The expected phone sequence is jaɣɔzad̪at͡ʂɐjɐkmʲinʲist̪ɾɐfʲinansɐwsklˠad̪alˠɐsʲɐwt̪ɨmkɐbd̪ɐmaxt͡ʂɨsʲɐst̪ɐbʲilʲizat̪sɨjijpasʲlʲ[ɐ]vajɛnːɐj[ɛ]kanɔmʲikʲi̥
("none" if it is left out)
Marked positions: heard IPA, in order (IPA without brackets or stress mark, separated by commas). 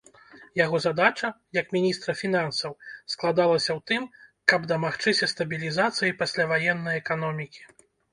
a, ɛ